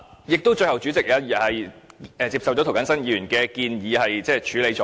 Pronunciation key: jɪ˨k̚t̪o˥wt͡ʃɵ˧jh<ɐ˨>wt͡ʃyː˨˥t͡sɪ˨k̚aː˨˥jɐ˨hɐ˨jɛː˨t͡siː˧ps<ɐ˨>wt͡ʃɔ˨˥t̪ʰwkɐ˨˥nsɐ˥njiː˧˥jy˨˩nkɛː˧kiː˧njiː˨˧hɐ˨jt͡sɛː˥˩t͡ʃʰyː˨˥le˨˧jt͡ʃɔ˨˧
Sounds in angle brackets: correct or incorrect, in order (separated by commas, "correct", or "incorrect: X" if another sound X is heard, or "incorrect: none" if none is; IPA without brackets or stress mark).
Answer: correct, correct